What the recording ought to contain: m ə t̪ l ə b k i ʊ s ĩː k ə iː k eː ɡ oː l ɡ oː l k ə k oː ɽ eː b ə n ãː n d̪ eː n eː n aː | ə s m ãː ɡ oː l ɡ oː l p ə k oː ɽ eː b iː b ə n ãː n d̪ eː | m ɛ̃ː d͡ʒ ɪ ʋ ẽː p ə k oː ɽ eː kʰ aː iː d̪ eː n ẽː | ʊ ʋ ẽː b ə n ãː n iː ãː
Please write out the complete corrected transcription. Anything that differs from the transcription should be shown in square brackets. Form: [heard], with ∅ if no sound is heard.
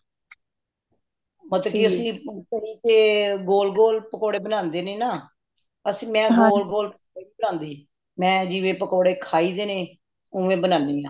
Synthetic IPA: m ə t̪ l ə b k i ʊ s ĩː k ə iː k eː ɡ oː l ɡ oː l [p] ə k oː ɽ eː b ə n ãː n d̪ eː n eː n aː | ə s m [ɛ̃ː] ɡ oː l ɡ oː l p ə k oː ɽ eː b iː b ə n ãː n d̪ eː | m ɛ̃ː d͡ʒ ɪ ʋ ẽː p ə k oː ɽ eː kʰ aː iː d̪ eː n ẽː | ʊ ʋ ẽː b ə n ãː n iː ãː